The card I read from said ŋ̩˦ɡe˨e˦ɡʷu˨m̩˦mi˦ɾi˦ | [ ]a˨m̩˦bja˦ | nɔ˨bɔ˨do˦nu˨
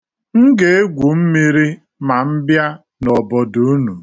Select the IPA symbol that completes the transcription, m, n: m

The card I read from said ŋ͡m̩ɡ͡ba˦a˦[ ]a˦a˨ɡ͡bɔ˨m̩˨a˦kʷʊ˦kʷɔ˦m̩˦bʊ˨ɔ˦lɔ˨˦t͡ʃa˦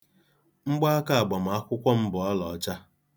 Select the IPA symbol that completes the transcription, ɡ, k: k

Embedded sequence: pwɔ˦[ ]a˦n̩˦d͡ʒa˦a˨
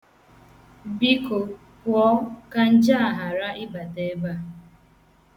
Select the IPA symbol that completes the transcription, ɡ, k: k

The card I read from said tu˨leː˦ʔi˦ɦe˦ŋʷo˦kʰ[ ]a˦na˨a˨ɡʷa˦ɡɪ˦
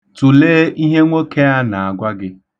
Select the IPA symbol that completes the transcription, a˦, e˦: e˦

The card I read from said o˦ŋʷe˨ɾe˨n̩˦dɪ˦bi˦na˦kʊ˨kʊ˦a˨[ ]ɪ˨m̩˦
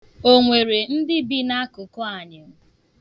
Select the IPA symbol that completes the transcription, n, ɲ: ɲ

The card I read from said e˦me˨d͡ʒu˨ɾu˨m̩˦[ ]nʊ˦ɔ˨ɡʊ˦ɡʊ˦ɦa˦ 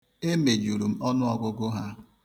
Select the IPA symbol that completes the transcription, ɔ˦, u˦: ɔ˦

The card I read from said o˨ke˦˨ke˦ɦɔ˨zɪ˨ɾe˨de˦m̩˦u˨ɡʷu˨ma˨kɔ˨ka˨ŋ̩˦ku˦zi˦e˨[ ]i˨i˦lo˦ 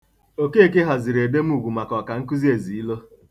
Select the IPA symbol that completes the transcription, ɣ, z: z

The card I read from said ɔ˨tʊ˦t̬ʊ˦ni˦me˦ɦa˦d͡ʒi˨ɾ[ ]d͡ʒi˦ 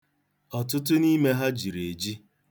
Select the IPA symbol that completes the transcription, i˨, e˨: e˨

